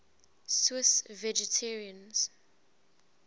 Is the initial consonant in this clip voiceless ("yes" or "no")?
yes